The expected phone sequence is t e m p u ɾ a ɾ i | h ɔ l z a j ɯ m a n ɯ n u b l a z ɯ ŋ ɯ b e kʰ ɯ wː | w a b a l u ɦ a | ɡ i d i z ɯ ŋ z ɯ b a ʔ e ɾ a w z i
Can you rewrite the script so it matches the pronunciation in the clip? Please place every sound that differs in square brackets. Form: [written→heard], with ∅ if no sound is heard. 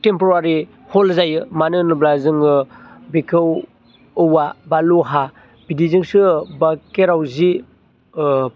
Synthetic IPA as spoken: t e m p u ɾ a ɾ i | h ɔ l z a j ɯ m a n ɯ n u b l a z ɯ ŋ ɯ b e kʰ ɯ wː | w a b a l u ɦ a | [ɡ→b] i d i z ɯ ŋ [z→s] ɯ b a [ʔ→k] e ɾ a w z i